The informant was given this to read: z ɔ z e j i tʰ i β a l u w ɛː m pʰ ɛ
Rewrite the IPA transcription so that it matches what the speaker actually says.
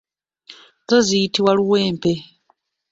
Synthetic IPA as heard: z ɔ z i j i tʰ i w a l u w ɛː m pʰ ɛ